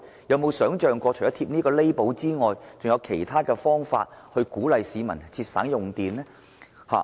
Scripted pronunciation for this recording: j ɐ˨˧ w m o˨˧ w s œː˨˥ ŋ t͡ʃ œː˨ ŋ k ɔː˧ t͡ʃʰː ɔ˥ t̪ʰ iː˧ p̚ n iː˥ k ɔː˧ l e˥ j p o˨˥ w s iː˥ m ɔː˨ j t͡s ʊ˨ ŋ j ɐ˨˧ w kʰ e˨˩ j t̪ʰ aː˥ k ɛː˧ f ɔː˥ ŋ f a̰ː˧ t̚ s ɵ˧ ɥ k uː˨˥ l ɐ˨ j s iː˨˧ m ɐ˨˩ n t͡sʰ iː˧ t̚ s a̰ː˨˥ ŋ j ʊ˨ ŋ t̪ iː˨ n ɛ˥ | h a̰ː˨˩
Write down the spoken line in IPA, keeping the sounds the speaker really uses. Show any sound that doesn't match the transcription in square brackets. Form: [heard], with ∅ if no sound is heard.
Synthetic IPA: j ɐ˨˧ w m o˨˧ w s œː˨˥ ŋ t͡ʃ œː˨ ŋ k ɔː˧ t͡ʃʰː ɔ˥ t̪ʰ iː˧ p̚ n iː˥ k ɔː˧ l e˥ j p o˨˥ w [t͡s] iː˥ [ŋ] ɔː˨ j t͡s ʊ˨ ŋ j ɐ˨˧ w kʰ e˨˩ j t̪ʰ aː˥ k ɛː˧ f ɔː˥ ŋ f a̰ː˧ t̚ [h] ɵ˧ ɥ k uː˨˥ l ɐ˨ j s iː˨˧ m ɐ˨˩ n t͡sʰ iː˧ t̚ s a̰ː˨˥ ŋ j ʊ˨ ŋ t̪ iː˨ n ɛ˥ | h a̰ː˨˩